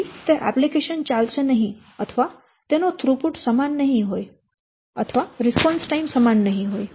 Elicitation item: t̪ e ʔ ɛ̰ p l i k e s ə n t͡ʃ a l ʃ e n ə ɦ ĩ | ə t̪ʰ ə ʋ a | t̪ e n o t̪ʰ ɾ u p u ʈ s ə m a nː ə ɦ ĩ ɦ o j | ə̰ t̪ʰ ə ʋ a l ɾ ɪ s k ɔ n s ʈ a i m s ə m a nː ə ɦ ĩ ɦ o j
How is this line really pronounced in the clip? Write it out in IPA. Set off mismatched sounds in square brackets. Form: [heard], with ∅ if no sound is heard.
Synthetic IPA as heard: t̪ e ʔ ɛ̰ p l i k e [ʃ] ə n t͡ʃ a l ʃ e n ə ɦ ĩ | ə t̪ʰ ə ʋ a | t̪ e n o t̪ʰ ɾ u p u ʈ s ə m a nː ə ɦ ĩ ɦ o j | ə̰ t̪ʰ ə ʋ a [∅] ɾ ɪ s [p] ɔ n s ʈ a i m s ə m a nː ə ɦ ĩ ɦ o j

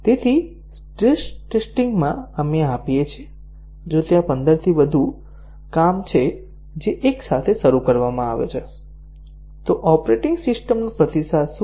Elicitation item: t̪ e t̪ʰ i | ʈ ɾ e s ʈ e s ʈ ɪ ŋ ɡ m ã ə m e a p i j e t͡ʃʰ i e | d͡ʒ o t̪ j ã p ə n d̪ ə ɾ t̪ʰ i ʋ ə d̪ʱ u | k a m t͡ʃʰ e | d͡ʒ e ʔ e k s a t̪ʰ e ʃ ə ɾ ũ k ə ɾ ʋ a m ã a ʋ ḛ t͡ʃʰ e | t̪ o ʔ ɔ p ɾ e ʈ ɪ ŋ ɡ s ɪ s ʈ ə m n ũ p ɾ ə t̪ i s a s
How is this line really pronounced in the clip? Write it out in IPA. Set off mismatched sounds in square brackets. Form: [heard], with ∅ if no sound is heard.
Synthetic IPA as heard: t̪ e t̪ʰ i | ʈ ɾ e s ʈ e s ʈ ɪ ŋ ɡ m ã ə m e a p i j e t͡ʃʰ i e | d͡ʒ o t̪ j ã p ə n d̪ ə ɾ t̪ʰ i ʋ ə d̪ʱ u | k a m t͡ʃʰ e | d͡ʒ e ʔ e k s a t̪ʰ e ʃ ə ɾ [u] k ə ɾ ʋ a m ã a ʋ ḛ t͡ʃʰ e | t̪ o ʔ ɔ p ɾ e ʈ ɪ ŋ ɡ s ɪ s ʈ ə m n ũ p ɾ ə t̪ i s a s

